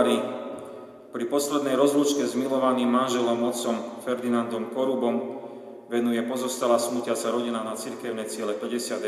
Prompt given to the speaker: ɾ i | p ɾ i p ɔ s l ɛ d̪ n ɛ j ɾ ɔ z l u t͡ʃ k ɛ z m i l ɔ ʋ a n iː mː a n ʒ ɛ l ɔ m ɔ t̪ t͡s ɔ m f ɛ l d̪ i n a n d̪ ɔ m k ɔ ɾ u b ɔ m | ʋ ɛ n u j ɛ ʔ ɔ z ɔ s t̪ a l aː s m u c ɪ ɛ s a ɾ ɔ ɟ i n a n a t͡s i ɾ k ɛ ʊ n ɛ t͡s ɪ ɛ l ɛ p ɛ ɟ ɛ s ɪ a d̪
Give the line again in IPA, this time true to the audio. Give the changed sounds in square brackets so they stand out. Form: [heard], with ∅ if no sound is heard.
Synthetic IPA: ɾ i | p ɾ i p ɔ s l ɛ d̪ n ɛ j ɾ ɔ z l u t͡ʃ k ɛ z m i l ɔ ʋ a n iː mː a n ʒ ɛ l ɔ m ɔ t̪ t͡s ɔ m f ɛ [ɾ] d̪ i n a n d̪ ɔ m k ɔ ɾ u b ɔ m | ʋ ɛ n u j ɛ [p] ɔ z ɔ s t̪ a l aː s m u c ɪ [a] s a ɾ ɔ ɟ i n a n a t͡s i ɾ k ɛ ʊ n ɛ t͡s ɪ ɛ l ɛ p ɛ ɟ ɛ s ɪ a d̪